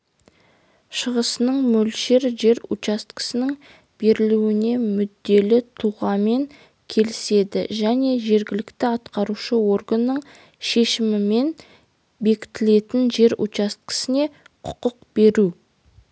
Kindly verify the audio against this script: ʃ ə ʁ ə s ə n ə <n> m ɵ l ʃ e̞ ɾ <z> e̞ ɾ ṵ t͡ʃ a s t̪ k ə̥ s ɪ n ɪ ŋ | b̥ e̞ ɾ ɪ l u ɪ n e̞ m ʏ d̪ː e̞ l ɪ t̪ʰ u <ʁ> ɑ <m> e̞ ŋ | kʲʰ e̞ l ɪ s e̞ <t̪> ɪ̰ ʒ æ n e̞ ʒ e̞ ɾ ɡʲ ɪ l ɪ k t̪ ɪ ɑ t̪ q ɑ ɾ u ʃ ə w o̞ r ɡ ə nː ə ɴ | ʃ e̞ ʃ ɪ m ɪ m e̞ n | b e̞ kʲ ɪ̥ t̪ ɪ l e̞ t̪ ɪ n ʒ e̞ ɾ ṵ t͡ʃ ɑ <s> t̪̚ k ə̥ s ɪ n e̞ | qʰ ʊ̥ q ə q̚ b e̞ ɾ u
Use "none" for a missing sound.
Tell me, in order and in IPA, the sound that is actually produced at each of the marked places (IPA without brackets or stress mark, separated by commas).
ɴ, ʒ, ʁ, m, d̪, s